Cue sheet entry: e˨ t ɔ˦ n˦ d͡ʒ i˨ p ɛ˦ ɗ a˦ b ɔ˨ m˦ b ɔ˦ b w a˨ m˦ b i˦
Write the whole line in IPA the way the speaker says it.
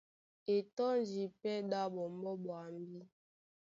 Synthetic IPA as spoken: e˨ t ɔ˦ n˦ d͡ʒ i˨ p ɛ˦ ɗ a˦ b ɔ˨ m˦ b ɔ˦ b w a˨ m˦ b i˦

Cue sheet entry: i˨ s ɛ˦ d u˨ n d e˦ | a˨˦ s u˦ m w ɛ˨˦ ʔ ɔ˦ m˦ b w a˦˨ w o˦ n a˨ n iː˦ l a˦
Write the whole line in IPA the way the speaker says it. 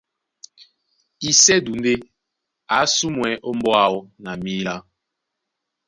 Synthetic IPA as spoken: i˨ s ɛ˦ d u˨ n d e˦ | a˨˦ s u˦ m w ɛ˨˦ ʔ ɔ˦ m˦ b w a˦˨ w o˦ n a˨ m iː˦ l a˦

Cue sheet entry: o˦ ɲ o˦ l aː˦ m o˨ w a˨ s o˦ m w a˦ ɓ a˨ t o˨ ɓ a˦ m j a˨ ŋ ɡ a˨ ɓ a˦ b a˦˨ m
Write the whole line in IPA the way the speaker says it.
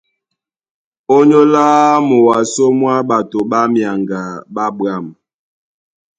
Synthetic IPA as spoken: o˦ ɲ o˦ l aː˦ m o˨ w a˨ s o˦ m w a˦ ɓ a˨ t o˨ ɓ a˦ m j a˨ ŋ ɡ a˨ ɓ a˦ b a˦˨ m

